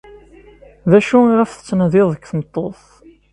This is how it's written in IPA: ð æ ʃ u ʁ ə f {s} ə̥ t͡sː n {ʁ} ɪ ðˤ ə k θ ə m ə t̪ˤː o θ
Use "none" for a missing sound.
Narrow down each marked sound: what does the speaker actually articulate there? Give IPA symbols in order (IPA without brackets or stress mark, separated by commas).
θ, ð